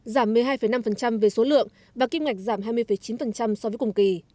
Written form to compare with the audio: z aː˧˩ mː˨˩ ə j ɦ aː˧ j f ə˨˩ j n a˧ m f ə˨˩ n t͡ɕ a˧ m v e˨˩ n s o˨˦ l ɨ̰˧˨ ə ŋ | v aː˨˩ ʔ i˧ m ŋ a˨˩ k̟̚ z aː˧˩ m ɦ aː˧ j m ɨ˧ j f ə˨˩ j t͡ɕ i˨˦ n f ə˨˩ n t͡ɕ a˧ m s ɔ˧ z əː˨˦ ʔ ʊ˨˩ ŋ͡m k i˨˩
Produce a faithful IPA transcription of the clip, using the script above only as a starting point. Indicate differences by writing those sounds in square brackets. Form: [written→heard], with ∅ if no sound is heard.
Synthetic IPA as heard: z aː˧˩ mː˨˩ ə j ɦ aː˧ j f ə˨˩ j n a˧ m f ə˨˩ n t͡ɕ a˧ m v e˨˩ [n→∅] s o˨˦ l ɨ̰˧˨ ə ŋ | v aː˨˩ [ʔ→k] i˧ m ŋ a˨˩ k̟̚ z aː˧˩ m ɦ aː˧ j m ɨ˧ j f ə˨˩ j t͡ɕ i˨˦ n f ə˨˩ n t͡ɕ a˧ m s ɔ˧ [z→v] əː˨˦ [ʔ→k] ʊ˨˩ ŋ͡m k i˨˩